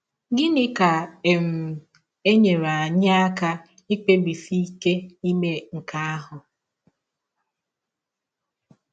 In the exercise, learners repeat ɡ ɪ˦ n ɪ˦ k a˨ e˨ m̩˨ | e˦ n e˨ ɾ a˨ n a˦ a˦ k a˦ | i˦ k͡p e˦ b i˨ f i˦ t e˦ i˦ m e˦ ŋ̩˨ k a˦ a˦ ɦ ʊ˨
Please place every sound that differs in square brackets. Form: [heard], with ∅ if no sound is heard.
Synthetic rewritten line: ɡ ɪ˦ n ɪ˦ k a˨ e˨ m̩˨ | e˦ [ɲ] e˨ ɾ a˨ [ɲ] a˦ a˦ k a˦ | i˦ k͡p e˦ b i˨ f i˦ [k] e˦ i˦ m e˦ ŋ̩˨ k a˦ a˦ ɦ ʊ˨